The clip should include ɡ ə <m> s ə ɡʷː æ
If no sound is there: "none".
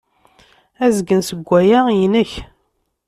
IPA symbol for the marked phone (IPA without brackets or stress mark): n